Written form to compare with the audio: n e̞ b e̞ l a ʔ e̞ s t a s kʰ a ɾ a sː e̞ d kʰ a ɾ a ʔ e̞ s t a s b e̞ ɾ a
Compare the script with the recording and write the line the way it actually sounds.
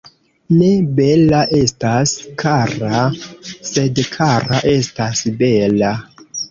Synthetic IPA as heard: n e̞ b e̞ l a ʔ e̞ s t a s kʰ a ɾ a s e̞ d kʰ a ɾ a ʔ e̞ s t a s b e̞ l a